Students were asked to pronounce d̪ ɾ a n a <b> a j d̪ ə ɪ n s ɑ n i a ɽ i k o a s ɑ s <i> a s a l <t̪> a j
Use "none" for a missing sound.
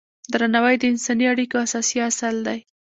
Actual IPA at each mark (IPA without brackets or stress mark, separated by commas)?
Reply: w, i, d̪